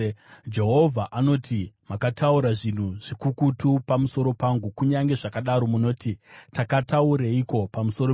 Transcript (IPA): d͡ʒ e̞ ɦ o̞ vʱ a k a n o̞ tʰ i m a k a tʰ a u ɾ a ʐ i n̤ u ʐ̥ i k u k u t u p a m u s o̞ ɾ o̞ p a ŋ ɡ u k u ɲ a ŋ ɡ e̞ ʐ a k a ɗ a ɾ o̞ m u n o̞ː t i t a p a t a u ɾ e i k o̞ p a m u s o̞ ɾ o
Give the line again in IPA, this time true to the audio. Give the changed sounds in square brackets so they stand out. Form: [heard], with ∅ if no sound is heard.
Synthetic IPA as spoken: d͡ʒ e̞ ɦ o̞ vʱ a [ʔ] a n o̞ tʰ i m a k a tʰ a u ɾ a ʐ i n̤ u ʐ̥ i k u k u t u p a m u s o̞ ɾ o̞ p a ŋ ɡ u k u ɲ a ŋ ɡ e̞ ʐ a k a ɗ a ɾ o̞ m u n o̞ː t i t a [k] a t a u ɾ e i k o̞ p a m u s o̞ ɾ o